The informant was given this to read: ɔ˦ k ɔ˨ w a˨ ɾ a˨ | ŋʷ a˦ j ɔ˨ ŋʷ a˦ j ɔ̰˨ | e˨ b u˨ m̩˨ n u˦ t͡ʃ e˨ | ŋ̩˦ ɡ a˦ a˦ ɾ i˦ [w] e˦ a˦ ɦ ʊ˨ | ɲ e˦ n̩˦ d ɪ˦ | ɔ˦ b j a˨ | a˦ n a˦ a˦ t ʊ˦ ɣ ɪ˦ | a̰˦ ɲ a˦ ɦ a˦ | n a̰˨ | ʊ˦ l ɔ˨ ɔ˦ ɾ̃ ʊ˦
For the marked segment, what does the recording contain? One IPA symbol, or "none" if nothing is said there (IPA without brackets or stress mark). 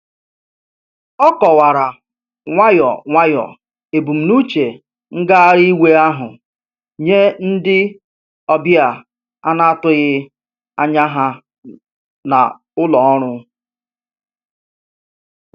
w